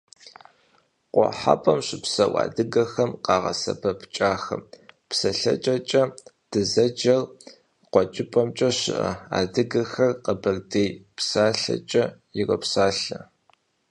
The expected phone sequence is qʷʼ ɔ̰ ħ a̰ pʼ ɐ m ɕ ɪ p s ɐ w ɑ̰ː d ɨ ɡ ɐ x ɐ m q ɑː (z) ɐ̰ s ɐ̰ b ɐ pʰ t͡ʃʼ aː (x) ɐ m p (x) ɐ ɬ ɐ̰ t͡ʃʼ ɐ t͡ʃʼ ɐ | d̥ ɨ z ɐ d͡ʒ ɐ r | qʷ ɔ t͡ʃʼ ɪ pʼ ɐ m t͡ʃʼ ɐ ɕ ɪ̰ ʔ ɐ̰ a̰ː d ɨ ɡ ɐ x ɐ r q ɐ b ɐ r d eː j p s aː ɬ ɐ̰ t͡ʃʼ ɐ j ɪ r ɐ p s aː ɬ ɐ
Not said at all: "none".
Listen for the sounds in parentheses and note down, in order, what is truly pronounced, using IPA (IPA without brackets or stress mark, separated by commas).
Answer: ʁ, x, s